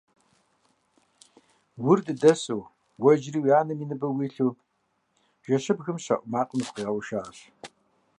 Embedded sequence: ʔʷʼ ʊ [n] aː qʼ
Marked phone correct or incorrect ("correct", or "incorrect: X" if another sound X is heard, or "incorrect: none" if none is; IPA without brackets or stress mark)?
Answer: incorrect: m